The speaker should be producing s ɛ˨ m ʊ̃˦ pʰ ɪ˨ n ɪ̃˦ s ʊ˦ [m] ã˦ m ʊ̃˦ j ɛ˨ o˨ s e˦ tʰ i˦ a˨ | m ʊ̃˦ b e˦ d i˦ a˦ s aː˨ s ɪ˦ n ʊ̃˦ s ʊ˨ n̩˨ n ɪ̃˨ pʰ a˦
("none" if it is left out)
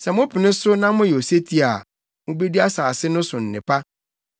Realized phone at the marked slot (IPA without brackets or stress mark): n